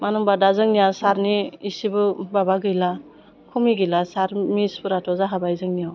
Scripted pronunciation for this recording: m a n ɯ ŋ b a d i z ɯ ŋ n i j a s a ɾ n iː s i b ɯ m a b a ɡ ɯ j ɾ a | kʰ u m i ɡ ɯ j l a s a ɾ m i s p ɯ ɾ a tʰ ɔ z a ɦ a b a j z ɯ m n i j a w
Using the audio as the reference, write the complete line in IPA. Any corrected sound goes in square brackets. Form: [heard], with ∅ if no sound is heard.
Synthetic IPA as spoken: m a n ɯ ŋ b a d [a] z ɯ ŋ n i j a s a ɾ n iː s i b ɯ [b] a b a ɡ ɯ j [l] a | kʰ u m i ɡ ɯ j l a s a ɾ m i s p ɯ ɾ a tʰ ɔ z a ɦ a b a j z ɯ [ŋ] n i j a w